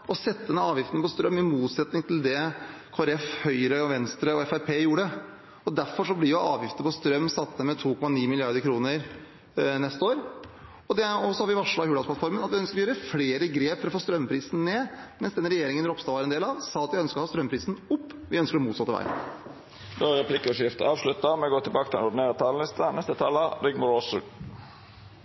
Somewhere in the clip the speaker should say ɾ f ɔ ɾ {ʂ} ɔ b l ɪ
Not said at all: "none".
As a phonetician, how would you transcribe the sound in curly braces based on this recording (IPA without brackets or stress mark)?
ʂ